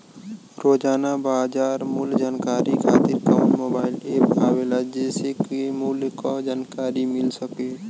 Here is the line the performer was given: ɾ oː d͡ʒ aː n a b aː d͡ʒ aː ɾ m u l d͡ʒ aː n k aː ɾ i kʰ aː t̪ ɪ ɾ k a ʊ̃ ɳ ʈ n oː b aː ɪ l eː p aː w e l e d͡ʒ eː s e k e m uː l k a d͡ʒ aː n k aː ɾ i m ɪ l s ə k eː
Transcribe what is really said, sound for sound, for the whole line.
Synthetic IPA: ɾ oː d͡ʒ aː n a b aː d͡ʒ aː ɾ m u l d͡ʒ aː n k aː ɾ i kʰ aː t̪ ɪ ɾ k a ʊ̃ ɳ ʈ m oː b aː ɪ l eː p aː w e l a d͡ʒ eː s e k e m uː l k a d͡ʒ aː n k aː ɾ i m ɪ l s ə k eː